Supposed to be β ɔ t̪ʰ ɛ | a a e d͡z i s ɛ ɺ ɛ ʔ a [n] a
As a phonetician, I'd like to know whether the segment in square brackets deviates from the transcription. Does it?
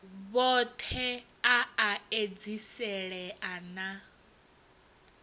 no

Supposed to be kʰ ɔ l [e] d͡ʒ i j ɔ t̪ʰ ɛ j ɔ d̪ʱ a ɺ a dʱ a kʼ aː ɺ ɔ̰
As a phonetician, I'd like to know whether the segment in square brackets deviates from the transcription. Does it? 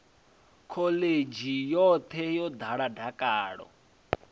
no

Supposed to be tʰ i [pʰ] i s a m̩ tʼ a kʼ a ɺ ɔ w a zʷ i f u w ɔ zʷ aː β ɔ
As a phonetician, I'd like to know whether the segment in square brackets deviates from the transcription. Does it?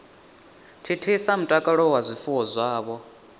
yes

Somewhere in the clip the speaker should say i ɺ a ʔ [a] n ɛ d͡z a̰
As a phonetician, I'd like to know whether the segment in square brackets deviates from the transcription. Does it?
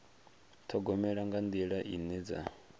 yes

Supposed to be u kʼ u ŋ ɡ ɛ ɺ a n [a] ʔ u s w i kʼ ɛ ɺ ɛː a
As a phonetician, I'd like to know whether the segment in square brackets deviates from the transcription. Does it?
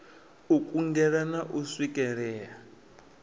no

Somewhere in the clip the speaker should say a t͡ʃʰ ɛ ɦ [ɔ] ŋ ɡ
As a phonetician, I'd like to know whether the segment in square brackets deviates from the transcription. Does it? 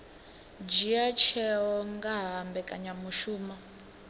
no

